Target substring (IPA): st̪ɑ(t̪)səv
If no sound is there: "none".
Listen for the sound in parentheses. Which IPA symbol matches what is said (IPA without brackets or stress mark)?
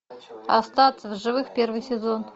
t̪